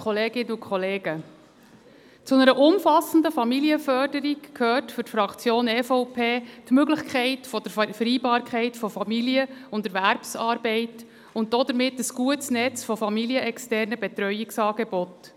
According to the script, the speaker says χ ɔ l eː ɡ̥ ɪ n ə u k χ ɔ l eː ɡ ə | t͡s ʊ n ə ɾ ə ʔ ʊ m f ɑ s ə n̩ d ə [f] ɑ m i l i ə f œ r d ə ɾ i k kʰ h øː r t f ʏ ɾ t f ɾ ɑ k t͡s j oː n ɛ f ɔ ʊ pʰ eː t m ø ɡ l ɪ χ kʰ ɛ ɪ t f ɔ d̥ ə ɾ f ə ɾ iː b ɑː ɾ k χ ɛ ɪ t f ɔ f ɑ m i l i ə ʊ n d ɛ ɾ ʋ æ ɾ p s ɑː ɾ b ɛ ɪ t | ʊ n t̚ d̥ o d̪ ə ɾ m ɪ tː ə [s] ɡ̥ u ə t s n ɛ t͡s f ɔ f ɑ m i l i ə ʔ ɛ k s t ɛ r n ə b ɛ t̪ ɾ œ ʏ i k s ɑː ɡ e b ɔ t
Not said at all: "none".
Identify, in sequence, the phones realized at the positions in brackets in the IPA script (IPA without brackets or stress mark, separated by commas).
f, s